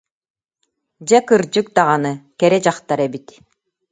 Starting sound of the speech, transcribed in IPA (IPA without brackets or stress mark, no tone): d͡ʑ